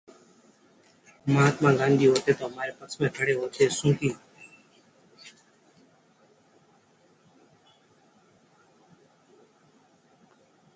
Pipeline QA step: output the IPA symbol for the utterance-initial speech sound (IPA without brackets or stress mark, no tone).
m